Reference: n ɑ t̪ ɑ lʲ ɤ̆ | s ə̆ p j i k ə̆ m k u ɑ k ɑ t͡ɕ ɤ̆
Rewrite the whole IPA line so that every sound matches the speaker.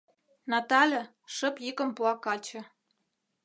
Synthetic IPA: n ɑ t̪ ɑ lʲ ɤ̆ | ʃ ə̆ p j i k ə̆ m p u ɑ k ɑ t͡ɕ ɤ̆